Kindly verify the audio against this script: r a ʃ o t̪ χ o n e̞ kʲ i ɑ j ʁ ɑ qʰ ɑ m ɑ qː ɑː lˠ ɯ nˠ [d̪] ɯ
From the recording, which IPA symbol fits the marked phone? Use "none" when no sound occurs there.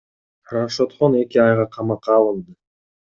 d̪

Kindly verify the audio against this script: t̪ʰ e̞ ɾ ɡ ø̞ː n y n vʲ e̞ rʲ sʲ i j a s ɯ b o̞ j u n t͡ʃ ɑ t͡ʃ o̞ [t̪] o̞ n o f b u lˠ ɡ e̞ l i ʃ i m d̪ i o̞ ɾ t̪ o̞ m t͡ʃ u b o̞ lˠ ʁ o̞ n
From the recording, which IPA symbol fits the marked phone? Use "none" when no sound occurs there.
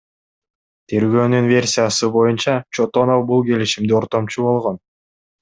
t̪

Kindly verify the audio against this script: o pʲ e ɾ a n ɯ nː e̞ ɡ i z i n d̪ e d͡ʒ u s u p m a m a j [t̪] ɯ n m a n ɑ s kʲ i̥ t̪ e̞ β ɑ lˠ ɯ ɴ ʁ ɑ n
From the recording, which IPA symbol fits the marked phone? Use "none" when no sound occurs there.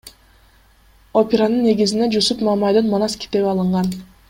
d̪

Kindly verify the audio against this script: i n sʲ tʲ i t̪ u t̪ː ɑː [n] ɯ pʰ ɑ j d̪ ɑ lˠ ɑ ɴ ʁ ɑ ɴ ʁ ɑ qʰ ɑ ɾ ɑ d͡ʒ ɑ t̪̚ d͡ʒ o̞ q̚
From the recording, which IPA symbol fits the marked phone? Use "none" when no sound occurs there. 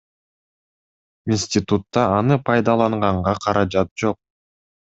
n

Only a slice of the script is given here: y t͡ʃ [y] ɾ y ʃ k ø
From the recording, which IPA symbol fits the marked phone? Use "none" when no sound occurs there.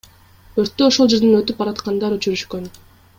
y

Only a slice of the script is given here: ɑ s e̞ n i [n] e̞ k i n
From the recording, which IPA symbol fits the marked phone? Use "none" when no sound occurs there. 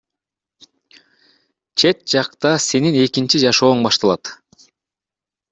n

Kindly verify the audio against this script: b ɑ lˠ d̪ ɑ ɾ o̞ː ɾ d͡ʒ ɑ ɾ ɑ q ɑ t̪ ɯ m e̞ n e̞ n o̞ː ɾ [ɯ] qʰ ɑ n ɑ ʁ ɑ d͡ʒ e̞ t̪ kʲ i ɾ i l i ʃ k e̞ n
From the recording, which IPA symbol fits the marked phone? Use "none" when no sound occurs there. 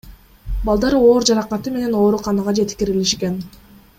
u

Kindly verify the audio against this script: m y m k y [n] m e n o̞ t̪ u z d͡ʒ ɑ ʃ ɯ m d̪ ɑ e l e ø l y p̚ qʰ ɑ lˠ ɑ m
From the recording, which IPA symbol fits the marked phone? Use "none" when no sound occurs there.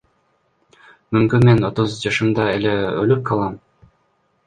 n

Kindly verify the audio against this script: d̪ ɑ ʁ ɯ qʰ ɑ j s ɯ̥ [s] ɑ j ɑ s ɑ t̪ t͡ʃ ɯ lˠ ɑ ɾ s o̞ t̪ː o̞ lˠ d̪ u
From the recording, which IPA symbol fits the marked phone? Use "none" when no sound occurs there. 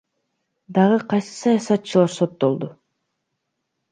s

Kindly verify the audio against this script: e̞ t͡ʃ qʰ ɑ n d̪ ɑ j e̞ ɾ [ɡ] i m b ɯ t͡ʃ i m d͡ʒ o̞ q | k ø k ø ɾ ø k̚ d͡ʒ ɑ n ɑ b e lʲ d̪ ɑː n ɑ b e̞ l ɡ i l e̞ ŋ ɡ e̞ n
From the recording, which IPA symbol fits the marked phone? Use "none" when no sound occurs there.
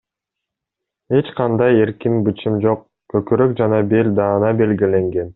k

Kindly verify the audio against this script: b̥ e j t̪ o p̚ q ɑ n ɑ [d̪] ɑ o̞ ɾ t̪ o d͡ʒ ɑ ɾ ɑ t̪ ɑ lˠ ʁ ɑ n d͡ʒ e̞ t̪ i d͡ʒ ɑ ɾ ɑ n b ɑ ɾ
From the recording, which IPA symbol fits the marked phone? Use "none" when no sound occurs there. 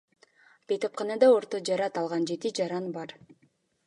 d̪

